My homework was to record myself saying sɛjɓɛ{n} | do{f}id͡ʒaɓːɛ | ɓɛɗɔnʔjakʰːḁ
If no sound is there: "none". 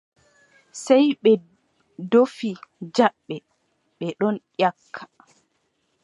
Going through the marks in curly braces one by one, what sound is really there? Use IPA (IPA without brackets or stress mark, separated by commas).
none, f